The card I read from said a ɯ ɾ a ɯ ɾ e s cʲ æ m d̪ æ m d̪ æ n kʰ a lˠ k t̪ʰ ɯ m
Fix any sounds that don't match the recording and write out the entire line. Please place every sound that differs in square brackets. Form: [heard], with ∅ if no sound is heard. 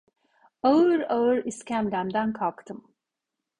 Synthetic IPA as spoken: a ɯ ɾ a ɯ ɾ [i] s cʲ æ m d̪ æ m d̪ æ n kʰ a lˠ k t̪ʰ ɯ m